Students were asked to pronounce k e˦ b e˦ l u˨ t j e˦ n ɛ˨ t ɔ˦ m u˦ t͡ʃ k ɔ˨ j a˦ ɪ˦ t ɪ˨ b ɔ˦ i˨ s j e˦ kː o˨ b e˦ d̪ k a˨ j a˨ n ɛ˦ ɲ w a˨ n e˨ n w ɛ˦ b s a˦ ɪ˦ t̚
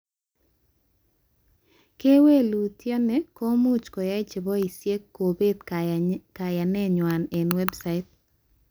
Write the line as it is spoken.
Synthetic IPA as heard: k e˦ w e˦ l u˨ t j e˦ n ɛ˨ k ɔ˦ m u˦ t͡ʃ k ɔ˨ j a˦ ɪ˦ t͡ʃ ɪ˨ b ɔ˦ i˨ s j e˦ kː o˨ b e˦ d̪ k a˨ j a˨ n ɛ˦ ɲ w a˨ n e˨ n w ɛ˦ b s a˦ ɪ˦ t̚

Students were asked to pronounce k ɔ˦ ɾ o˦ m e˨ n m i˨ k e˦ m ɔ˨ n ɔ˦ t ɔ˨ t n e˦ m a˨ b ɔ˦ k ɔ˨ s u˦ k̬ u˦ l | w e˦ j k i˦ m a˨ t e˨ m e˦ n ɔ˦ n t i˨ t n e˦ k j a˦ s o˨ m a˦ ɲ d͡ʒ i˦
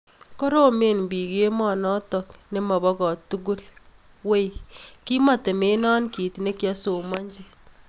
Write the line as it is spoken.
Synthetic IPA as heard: k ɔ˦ ɾ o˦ m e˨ n b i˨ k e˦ m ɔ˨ n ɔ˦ t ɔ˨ k n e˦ m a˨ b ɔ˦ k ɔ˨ t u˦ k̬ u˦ l | w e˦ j k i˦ m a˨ t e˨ m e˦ n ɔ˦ n k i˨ t n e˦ k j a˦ s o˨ m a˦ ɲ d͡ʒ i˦

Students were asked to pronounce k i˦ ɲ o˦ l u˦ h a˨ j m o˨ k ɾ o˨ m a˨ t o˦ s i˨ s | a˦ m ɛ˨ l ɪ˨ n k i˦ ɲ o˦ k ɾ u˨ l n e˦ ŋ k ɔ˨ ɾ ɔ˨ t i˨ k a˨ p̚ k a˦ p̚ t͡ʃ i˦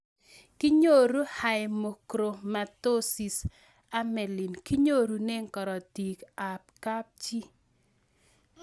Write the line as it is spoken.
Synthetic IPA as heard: k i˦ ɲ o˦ ɾ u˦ h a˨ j m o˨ k ɾ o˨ m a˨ t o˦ s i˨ s | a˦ m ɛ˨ l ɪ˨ n k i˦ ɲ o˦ ɾ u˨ n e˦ ŋ k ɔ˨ ɾ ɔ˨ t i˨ k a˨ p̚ k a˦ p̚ t͡ʃ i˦

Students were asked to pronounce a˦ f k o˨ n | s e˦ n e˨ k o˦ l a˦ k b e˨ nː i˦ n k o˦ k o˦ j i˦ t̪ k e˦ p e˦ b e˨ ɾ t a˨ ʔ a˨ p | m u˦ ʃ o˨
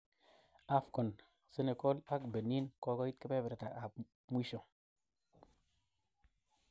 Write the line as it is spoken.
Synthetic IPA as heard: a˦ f k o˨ n | s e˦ n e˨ k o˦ l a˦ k b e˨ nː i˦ n k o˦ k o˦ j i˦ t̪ k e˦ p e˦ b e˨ ɾ t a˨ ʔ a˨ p | m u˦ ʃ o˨

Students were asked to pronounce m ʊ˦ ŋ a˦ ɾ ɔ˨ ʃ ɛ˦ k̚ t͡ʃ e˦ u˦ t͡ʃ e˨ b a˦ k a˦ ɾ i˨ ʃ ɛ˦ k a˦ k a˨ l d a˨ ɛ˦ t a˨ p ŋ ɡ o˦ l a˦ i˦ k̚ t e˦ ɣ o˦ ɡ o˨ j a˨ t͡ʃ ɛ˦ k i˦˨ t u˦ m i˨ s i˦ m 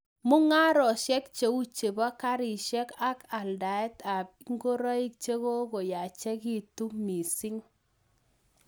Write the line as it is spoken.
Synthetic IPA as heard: m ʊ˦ ŋ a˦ ɾ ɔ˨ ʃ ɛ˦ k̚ t͡ʃ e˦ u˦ t͡ʃ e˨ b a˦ k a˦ ɾ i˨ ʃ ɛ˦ k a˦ k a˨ l d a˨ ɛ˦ t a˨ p ŋ ɡ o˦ ɾ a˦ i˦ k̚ t͡ʃ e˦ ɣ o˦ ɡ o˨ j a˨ t͡ʃ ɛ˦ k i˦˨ t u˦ m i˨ s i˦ ŋ

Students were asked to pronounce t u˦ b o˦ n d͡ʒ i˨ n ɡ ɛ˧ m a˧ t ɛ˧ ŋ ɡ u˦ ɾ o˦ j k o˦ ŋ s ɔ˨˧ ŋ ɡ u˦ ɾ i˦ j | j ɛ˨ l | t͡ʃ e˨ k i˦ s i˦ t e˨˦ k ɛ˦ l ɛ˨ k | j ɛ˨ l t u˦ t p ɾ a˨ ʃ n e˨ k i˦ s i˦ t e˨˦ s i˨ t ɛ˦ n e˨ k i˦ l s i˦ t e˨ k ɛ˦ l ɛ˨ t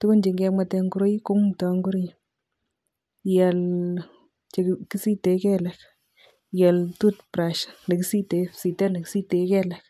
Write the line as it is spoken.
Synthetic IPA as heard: t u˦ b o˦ n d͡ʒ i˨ ŋ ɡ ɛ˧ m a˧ t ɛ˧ ŋ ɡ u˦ ɾ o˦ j k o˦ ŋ t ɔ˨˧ ŋ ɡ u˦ ɾ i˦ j | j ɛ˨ l | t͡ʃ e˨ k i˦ s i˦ t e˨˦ k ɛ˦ l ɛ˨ k | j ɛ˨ l t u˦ t p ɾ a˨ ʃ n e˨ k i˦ s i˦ t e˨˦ s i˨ t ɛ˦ n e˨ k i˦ s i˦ t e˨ k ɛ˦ l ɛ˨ k

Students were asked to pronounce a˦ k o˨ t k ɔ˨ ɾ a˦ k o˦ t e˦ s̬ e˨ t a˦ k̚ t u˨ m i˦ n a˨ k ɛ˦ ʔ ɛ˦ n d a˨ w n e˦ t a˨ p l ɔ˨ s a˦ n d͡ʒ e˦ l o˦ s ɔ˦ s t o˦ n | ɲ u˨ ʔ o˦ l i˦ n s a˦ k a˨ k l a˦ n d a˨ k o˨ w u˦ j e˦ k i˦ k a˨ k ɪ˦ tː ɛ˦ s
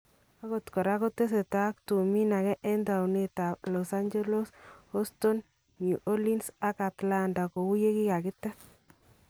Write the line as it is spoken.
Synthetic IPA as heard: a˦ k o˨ t k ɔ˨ ɾ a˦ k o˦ t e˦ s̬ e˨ t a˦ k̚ t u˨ m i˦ n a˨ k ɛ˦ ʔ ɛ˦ n d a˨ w n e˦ t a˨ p l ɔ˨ s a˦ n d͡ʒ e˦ l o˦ s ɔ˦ s t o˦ n | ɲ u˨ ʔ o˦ l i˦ n s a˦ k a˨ t l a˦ n d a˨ k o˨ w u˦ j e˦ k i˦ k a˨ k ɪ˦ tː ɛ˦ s

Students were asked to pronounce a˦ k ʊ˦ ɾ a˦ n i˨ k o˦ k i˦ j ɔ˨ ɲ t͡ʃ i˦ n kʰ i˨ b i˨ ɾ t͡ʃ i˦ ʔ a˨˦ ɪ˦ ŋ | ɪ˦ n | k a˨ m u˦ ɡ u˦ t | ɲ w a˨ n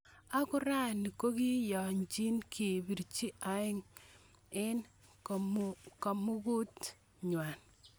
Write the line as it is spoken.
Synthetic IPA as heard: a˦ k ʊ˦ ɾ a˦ n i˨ k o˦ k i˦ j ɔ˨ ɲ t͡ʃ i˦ n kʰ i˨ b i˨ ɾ t͡ʃ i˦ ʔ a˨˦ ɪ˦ ŋ | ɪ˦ n | k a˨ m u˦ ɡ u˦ t | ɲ w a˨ n

